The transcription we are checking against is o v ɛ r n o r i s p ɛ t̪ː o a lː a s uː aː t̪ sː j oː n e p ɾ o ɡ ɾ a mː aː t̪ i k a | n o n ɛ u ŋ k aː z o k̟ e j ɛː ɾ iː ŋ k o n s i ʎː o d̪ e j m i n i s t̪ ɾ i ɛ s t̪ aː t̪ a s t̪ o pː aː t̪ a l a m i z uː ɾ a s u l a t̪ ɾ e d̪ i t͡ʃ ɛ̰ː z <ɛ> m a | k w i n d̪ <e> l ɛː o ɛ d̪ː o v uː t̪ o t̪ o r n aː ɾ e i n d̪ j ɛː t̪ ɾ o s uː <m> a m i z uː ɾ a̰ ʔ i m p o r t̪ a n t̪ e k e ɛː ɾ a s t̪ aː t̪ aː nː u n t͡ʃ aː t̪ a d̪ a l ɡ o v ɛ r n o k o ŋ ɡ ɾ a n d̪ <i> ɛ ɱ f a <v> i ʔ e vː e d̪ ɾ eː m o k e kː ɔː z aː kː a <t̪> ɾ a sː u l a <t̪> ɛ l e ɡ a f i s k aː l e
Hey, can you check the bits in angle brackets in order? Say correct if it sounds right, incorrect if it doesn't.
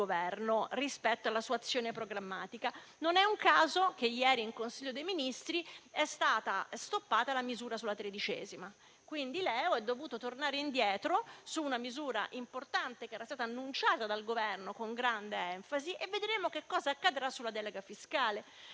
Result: incorrect: i, incorrect: i, incorrect: n, incorrect: e, incorrect: z, incorrect: d̪, incorrect: d̪

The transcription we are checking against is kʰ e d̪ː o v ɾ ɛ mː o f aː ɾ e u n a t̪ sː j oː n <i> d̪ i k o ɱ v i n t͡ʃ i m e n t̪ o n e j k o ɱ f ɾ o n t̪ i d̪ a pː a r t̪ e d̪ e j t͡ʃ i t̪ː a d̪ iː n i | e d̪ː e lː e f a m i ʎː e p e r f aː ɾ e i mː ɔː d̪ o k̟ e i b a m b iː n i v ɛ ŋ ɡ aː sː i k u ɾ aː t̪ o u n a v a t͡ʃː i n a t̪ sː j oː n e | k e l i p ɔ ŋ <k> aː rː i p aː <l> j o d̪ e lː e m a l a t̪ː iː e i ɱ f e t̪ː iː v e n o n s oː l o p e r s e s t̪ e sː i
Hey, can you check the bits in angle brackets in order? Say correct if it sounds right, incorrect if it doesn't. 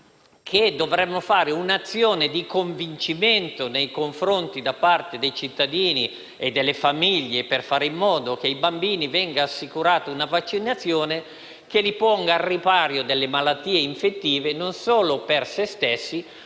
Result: incorrect: e, incorrect: ɡ, incorrect: ɾ

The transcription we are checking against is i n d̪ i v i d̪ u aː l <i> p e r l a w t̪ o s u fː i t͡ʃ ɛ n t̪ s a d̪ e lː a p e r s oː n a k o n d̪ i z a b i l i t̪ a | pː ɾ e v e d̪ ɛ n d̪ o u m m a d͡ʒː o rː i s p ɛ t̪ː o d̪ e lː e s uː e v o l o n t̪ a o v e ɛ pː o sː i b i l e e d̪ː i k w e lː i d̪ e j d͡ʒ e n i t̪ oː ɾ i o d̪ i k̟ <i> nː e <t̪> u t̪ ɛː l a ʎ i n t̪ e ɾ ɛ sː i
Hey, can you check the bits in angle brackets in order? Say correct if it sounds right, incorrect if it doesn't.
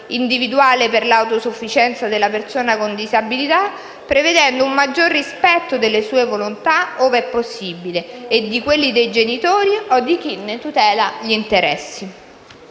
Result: incorrect: e, correct, correct

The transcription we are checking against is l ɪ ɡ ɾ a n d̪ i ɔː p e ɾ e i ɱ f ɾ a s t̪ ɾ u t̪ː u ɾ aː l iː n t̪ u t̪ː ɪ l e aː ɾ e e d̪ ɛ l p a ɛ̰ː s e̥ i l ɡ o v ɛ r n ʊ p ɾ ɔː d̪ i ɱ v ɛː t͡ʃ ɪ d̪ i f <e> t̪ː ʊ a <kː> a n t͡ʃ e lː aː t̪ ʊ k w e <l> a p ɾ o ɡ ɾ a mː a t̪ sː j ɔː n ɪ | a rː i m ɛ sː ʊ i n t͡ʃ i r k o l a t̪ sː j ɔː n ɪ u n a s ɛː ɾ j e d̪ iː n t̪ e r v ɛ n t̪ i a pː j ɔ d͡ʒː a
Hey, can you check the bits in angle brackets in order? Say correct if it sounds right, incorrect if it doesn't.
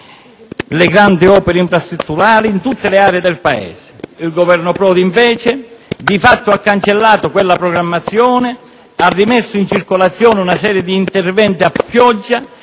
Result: incorrect: a, correct, incorrect: lː

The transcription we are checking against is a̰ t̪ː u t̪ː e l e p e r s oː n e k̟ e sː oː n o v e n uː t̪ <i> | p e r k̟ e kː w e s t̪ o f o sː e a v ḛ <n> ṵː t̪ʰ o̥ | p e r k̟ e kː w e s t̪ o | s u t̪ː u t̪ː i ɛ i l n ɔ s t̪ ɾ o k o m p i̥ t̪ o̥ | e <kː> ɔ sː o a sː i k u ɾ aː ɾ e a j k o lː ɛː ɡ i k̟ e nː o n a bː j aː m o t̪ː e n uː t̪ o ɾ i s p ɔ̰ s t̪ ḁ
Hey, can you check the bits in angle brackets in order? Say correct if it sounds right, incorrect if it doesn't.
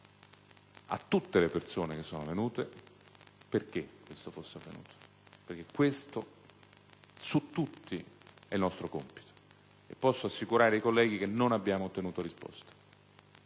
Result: incorrect: e, correct, incorrect: pː

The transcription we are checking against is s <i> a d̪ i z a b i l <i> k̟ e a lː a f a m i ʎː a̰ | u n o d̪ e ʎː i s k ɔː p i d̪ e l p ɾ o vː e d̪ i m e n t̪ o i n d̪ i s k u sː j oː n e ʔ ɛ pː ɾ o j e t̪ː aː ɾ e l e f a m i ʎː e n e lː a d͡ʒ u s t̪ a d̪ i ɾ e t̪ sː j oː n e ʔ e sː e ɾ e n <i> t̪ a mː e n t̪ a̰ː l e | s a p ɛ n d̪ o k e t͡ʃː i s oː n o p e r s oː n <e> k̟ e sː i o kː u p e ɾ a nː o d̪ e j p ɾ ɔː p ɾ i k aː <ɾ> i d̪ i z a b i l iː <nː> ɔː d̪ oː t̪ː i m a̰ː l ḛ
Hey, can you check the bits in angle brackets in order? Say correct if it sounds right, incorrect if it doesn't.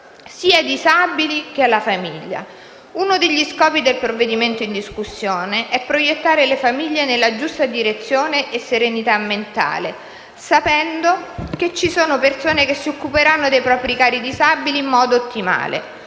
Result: incorrect: iː, correct, correct, correct, correct, incorrect: mː

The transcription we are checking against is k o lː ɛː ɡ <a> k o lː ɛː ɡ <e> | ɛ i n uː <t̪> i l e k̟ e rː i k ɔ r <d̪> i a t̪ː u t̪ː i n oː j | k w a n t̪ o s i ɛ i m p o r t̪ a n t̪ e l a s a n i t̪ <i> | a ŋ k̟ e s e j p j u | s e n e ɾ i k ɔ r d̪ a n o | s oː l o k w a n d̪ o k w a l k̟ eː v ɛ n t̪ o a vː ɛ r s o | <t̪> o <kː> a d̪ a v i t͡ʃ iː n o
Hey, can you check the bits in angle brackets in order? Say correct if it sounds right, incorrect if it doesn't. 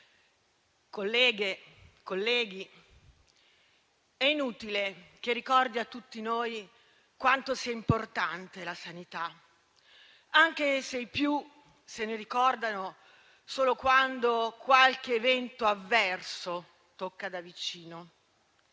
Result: incorrect: e, incorrect: i, correct, correct, incorrect: a, correct, correct

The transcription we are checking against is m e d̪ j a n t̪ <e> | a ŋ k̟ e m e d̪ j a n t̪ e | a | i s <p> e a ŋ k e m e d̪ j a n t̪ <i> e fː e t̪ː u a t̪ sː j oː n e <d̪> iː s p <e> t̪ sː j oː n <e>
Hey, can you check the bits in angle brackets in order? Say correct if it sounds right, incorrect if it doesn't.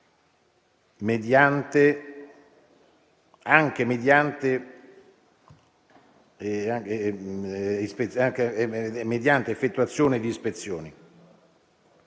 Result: correct, correct, incorrect: e, correct, correct, incorrect: i

